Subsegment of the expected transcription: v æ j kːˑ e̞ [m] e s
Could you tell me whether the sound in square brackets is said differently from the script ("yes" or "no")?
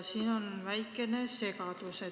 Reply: yes